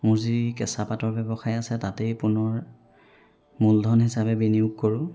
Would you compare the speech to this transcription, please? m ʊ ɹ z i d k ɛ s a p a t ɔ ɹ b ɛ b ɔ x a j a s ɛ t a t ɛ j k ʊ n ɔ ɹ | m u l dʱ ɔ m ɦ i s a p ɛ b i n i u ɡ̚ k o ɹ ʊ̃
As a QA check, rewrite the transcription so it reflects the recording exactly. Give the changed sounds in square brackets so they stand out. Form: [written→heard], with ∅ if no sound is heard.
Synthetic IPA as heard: m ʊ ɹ z i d k ɛ s a p a t ɔ ɹ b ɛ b ɔ x a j a s ɛ t a t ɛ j [k→p] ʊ n ɔ ɹ | m u l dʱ ɔ [m→n] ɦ i s a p ɛ b i n i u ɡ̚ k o ɹ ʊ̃